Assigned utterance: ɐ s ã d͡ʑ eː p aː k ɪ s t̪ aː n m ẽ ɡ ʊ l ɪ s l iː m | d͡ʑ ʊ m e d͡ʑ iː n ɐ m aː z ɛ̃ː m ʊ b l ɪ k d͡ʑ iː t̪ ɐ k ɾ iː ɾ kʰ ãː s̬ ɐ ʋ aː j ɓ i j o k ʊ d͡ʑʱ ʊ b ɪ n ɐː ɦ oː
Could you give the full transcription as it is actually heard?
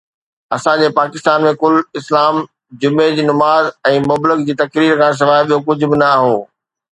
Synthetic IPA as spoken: ɐ s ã d͡ʑ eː p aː k ɪ s t̪ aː n m ẽ k ʊ l ɪ s l aː m | d͡ʑ ʊ m e d͡ʑ iː n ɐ m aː z ɛ̃ː m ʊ b l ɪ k d͡ʑ iː t̪ ɐ k ɾ iː ɾ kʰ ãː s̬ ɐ ʋ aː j ɓ i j o k ʊ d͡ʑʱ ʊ b ɪ n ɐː ɦ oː